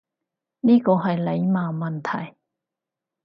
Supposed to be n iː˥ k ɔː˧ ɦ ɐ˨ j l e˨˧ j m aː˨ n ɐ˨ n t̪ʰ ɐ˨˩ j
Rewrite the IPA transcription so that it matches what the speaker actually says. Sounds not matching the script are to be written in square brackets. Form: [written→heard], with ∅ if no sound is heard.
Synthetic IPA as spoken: n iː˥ k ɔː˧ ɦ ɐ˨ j l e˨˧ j m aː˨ [n→m] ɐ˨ n t̪ʰ ɐ˨˩ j